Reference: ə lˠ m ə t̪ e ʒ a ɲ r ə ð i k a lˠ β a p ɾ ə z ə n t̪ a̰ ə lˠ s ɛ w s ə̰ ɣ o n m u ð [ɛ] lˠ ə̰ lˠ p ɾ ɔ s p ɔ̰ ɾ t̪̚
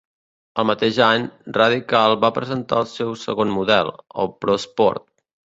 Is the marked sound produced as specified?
yes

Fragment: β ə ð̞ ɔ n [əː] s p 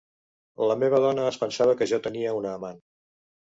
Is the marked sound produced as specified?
yes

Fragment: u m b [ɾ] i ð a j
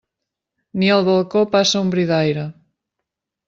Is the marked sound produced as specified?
yes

